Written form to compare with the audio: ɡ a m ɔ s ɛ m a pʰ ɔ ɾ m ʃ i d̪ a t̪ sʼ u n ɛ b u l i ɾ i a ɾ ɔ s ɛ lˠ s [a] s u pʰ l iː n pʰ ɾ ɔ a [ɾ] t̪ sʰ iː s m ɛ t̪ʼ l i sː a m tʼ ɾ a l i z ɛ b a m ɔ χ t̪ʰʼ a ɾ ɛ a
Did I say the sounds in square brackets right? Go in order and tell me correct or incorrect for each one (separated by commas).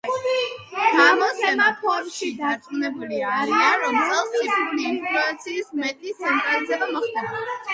incorrect, incorrect